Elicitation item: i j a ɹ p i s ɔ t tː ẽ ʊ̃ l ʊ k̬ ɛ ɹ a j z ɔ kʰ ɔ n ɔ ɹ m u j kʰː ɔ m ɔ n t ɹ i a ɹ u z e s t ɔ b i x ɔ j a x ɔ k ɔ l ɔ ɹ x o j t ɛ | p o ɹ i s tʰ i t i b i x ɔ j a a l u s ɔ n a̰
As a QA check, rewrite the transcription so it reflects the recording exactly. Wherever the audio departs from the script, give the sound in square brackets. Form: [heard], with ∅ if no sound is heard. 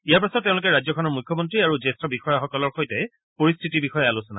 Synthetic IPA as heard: i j a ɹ p [a] s ɔ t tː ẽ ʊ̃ l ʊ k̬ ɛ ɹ a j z ɔ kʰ ɔ n ɔ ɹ m u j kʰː ɔ m ɔ n t ɹ i a ɹ u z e s t ɔ b i x ɔ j a x ɔ k ɔ l ɔ ɹ x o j t ɛ | p o ɹ i s tʰ i t i b i x ɔ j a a l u s ɔ n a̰